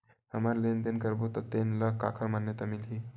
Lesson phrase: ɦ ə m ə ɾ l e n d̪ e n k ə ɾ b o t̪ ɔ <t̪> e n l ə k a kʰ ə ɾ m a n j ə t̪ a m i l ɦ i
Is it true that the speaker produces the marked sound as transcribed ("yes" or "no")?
yes